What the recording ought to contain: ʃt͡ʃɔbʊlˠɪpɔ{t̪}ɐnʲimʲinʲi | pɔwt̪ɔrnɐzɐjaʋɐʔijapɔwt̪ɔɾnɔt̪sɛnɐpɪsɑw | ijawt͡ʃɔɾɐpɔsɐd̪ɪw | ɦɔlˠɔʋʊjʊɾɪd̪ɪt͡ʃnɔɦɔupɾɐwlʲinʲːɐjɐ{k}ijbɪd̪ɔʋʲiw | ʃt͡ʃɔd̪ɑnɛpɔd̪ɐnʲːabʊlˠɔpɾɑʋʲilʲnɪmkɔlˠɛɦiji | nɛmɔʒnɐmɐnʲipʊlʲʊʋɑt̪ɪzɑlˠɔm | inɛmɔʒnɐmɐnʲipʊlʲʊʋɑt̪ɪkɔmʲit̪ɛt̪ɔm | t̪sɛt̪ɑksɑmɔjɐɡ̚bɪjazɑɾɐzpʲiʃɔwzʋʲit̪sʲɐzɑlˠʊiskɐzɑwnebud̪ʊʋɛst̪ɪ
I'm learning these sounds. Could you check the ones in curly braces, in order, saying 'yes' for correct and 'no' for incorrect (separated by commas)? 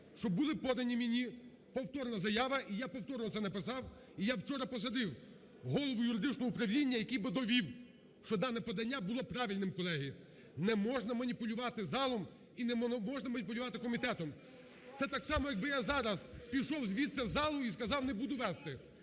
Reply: no, yes